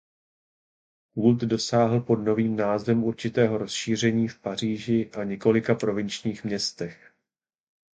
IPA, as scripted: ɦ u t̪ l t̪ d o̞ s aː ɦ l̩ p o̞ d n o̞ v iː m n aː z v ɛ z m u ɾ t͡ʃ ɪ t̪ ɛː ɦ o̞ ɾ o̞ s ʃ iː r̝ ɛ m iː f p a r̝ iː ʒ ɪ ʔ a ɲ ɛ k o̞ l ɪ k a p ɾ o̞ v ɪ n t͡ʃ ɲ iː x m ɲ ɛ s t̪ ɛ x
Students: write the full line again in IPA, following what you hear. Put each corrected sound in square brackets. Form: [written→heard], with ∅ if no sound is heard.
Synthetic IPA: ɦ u [t̪→∅] l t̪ d o̞ s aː ɦ l̩ p o̞ d n o̞ v iː m n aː z v ɛ [z→∅] m u ɾ t͡ʃ ɪ t̪ ɛː ɦ o̞ ɾ o̞ s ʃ iː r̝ ɛ [m→ɲ] iː f p a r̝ iː ʒ ɪ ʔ a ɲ ɛ k o̞ l ɪ k a p ɾ o̞ v ɪ n t͡ʃ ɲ iː x m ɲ ɛ s t̪ ɛ x